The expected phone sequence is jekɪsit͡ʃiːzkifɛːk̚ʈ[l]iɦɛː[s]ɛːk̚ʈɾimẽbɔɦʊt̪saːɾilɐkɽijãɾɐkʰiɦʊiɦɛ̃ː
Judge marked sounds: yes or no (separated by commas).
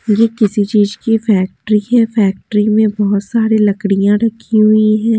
no, no